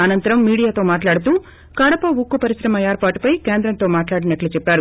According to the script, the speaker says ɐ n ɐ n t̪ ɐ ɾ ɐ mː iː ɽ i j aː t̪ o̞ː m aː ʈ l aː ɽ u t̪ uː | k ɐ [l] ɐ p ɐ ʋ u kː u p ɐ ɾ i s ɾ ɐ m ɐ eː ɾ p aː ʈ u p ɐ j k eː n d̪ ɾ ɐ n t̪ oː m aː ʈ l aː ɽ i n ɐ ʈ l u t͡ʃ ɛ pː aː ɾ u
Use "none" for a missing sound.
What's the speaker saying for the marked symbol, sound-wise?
ɽ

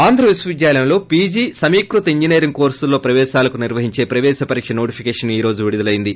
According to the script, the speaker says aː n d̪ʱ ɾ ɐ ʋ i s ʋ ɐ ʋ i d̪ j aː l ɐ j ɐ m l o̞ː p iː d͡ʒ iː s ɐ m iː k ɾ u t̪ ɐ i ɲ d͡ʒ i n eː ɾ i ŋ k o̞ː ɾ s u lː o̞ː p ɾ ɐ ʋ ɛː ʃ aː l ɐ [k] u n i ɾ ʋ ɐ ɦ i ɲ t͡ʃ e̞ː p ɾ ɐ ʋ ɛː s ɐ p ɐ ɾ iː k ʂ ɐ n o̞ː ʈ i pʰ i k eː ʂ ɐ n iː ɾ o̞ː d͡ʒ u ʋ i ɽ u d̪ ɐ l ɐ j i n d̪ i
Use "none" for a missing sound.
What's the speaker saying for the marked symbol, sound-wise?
k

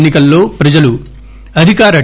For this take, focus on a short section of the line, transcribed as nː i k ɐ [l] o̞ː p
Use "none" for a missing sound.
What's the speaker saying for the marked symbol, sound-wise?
lː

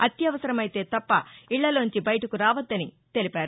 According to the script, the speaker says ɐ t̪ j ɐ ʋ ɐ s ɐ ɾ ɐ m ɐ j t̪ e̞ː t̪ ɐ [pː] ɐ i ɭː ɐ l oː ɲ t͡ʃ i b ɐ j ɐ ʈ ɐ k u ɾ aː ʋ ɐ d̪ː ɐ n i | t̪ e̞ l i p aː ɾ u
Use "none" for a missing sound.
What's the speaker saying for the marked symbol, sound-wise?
pː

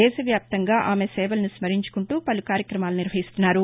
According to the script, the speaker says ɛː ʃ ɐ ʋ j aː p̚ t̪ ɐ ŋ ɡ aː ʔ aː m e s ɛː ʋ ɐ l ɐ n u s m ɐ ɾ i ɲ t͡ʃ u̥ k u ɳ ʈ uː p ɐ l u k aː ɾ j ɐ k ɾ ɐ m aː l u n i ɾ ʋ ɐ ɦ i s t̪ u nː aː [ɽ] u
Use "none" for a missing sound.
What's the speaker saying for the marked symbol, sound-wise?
ɾ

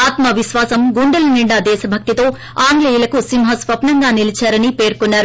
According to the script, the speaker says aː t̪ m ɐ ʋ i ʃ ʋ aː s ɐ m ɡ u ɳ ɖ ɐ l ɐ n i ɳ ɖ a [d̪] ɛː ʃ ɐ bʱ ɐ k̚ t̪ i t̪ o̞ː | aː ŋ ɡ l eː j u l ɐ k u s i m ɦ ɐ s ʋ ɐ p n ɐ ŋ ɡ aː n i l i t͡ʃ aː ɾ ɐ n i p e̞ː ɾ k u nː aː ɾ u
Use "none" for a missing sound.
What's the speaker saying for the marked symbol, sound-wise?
d̪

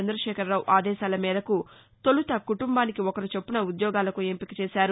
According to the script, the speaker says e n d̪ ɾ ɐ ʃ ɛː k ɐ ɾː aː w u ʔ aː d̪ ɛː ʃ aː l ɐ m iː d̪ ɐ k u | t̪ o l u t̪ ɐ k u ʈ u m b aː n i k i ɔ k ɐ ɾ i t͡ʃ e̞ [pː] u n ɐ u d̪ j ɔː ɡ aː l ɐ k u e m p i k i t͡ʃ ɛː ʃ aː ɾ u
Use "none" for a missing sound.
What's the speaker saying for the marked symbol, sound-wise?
pː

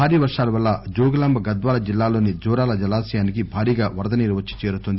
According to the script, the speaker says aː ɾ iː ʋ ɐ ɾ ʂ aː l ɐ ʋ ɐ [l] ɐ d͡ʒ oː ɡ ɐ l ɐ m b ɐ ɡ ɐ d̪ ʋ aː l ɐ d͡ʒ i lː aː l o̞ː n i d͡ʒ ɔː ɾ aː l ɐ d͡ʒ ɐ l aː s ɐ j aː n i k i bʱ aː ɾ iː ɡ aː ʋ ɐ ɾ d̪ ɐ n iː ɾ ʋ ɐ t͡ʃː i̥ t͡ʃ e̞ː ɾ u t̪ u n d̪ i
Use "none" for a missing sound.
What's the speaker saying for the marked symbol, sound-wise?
lː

